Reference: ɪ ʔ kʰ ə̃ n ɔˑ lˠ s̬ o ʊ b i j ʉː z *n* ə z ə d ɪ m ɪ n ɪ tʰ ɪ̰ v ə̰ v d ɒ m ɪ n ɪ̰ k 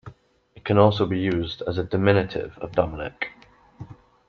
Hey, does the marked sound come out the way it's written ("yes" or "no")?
no